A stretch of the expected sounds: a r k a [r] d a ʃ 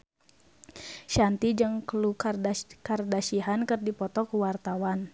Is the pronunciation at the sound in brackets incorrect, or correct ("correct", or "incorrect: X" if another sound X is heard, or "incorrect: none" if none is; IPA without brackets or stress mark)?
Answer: correct